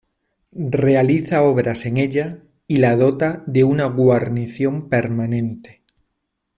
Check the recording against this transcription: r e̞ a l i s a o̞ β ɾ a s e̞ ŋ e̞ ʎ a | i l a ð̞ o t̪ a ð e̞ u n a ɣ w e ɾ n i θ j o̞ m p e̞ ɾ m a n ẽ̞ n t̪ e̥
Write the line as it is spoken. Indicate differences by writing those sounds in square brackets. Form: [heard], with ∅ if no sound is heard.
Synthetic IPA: r e̞ a l i [θ] a o̞ β ɾ a s e̞ ŋ e̞ ʎ a | i l a ð̞ o t̪ a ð e̞ u n a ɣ w [a] ɾ n i θ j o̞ m p e̞ ɾ m a n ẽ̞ n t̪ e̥